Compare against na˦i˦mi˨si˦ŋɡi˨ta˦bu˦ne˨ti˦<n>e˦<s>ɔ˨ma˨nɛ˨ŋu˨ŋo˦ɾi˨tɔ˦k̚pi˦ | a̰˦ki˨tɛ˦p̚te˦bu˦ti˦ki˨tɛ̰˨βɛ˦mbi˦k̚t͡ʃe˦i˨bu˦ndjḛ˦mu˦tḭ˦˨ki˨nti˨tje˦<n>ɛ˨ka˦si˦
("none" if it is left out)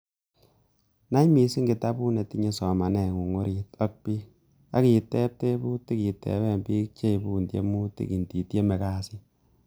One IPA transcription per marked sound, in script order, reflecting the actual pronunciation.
ɲ, s, m

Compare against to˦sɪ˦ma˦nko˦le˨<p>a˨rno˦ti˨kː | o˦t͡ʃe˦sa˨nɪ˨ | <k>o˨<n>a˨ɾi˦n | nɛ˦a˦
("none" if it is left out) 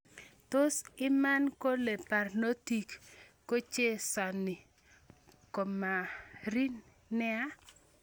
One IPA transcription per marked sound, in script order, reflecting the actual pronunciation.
p, k, m

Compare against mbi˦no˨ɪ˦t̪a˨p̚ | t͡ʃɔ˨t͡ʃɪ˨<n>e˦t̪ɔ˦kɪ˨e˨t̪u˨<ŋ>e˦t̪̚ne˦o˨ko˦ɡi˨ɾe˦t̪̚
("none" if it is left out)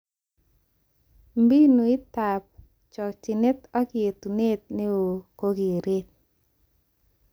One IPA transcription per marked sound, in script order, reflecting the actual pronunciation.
n, n

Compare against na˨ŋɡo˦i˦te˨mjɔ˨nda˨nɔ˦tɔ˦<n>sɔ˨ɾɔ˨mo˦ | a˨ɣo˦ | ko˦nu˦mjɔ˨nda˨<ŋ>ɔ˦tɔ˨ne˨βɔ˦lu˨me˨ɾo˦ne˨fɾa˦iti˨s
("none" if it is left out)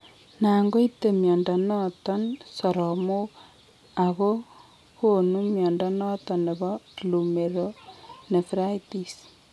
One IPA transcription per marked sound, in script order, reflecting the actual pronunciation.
n, n

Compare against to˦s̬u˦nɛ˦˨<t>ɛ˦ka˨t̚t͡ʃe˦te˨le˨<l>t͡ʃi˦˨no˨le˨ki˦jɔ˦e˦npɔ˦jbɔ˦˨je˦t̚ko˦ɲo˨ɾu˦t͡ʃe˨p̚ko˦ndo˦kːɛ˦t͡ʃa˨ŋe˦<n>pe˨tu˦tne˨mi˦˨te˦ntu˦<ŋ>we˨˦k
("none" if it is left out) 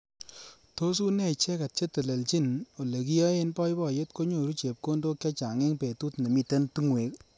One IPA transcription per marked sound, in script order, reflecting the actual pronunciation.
t͡ʃ, l, ŋ, ŋ

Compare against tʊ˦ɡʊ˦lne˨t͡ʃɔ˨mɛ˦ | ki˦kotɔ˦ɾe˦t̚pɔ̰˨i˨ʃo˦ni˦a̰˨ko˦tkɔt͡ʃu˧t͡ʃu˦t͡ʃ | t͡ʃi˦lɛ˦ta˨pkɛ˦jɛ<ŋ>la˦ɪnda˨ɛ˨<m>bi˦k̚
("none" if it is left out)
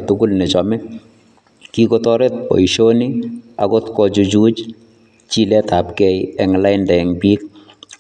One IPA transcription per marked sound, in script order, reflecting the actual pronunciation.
ŋ, ŋ

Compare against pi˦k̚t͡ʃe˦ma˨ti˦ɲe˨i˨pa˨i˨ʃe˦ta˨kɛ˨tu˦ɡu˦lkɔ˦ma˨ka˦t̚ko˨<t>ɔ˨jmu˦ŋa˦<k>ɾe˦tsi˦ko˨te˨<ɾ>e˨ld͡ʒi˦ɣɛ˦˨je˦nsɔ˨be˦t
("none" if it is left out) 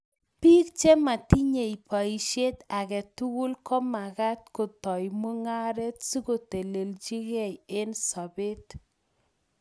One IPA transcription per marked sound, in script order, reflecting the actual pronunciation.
t, none, l

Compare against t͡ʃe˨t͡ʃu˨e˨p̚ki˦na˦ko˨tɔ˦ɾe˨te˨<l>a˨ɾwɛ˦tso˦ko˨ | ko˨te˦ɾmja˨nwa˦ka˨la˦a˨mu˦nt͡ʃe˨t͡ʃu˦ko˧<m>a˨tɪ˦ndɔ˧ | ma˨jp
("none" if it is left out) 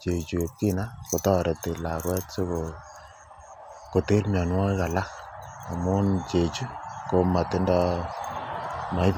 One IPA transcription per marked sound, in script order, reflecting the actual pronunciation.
l, m

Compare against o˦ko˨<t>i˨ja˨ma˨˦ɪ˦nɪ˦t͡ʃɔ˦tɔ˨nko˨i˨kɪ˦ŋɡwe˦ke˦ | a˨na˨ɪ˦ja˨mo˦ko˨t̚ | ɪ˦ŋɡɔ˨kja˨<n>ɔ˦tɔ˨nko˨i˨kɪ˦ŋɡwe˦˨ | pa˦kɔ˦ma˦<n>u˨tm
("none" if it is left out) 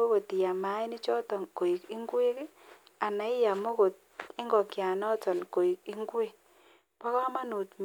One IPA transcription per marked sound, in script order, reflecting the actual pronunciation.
t, n, n

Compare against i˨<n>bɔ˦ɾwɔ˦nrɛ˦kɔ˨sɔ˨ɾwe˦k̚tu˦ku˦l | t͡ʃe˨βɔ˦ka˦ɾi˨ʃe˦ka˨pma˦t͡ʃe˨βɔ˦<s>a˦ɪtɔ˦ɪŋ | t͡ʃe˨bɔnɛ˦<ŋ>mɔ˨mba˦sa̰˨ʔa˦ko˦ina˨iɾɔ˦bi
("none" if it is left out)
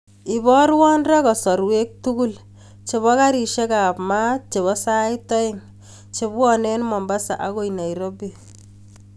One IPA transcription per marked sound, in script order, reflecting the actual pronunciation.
none, s, n

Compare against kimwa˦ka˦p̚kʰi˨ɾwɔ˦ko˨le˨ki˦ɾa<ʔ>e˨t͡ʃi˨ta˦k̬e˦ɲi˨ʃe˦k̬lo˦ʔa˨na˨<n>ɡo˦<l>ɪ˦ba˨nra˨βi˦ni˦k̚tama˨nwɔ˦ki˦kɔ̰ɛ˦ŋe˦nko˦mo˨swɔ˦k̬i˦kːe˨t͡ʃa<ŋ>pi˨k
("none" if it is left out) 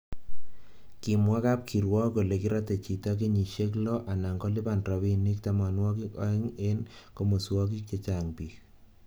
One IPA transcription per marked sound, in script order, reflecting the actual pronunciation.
t, ŋ, l, ŋ

